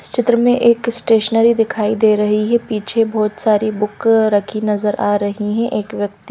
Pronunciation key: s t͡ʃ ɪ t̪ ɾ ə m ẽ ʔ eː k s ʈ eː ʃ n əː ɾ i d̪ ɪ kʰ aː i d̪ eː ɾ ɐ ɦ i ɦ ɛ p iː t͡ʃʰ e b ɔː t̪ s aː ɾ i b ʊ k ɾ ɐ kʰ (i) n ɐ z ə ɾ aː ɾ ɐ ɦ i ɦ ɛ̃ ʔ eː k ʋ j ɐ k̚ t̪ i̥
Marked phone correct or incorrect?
correct